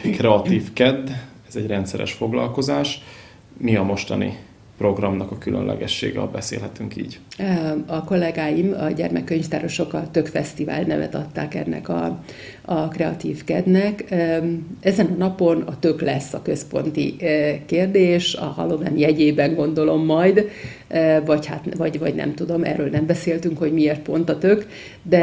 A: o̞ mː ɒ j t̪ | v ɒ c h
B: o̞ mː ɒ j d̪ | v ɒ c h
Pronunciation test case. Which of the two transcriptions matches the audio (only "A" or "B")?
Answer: B